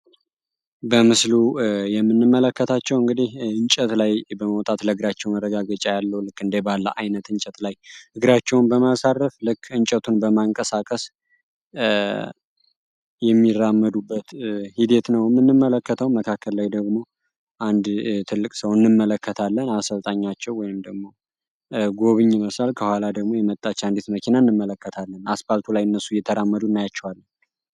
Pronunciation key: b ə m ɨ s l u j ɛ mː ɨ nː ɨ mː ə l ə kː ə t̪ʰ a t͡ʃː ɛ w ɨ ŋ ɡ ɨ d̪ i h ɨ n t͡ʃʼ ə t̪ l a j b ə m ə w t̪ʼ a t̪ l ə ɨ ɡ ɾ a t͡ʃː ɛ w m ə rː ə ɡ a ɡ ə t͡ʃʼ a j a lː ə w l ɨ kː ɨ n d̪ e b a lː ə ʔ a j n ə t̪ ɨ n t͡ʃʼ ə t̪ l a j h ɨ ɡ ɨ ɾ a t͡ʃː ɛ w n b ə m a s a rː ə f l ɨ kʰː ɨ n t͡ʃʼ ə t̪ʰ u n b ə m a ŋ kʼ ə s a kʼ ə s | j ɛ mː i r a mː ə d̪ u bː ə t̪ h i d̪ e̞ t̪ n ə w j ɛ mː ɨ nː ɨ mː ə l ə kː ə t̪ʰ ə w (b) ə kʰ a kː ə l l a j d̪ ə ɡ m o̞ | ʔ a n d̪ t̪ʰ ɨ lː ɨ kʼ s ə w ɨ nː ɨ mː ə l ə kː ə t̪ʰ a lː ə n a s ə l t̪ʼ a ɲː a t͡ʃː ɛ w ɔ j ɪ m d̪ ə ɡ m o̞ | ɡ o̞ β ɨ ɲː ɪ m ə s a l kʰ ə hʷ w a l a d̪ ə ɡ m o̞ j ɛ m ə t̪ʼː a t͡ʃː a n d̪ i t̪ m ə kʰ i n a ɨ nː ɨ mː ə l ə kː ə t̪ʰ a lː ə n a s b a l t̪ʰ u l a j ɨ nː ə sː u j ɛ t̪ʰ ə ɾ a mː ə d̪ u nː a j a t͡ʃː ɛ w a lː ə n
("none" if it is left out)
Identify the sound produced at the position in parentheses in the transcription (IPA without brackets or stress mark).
m